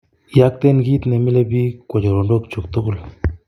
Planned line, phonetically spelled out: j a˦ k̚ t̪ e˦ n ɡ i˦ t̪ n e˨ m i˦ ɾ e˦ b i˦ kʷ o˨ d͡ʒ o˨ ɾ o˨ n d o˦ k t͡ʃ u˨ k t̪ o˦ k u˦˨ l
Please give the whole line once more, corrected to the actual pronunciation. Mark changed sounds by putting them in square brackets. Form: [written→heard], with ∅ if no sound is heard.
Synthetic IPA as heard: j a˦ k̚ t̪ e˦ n ɡ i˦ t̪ n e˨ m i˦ [ɾ→l] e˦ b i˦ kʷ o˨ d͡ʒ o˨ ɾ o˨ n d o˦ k t͡ʃ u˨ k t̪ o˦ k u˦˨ l